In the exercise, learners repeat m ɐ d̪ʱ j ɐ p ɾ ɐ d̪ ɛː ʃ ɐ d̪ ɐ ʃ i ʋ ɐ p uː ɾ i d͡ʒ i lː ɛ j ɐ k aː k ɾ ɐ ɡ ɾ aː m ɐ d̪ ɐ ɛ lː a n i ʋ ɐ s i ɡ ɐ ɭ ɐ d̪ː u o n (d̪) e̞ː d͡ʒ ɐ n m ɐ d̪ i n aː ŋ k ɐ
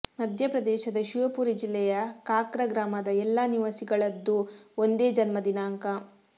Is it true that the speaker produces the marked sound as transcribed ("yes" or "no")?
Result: yes